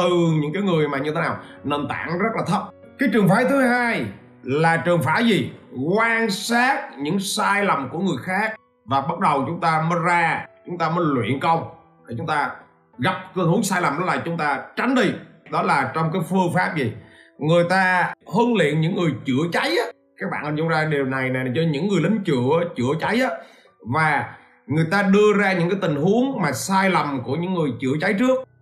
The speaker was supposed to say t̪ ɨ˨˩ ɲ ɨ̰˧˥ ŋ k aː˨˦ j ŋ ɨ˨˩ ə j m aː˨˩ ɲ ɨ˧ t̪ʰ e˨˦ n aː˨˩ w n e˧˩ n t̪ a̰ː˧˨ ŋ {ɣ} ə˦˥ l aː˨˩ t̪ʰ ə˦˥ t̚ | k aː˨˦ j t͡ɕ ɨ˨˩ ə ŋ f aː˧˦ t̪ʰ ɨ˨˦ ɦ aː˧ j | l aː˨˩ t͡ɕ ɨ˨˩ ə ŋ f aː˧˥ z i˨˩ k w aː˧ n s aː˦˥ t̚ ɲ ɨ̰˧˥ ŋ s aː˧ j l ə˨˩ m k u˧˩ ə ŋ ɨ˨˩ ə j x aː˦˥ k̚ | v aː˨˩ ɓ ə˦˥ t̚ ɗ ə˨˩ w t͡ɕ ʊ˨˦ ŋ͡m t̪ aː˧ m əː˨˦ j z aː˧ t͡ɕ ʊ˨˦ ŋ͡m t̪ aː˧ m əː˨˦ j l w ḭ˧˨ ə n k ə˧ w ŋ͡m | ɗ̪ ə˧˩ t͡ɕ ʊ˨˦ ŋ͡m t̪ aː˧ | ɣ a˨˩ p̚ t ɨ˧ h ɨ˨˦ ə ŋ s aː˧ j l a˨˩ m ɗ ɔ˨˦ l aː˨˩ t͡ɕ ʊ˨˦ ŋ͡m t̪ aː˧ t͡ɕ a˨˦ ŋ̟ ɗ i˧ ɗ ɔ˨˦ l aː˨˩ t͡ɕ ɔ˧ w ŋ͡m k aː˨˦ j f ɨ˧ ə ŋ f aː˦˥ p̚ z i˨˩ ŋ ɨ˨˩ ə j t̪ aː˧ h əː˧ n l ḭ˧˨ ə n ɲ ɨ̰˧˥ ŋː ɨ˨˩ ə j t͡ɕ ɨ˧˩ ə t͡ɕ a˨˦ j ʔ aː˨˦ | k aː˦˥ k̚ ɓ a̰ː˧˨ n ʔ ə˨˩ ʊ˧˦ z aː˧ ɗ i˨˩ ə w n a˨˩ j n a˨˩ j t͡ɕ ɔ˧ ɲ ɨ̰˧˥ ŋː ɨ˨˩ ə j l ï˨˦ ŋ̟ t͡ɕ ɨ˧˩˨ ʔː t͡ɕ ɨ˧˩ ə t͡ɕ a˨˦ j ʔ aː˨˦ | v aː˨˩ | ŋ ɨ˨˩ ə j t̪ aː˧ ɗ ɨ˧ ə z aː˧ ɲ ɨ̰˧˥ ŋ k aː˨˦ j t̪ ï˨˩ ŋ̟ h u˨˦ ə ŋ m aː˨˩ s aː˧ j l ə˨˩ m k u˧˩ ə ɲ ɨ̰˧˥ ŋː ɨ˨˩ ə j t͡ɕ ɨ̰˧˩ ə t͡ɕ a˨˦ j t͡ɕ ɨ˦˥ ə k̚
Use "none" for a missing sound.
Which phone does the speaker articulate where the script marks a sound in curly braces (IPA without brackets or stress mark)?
z